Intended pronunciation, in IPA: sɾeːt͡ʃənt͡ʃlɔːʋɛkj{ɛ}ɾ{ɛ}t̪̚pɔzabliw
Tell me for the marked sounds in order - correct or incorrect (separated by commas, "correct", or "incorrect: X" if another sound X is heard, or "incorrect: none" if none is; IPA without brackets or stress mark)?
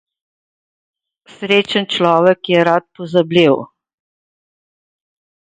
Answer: correct, incorrect: a